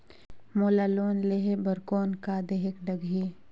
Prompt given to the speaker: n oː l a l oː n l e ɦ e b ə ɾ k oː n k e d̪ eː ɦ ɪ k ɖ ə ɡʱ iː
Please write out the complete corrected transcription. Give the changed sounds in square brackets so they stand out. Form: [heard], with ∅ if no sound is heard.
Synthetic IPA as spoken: [m] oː l a l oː n l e ɦ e b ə ɾ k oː n k [a] d̪ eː ɦ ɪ k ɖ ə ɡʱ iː